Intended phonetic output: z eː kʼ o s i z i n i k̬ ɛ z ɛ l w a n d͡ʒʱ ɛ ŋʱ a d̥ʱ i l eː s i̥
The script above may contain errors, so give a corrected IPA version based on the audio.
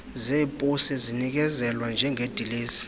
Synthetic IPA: z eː pʼ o s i z i n i k̬ ɛ z ɛ l w a n d͡ʒʱ ɛ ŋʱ e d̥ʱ i l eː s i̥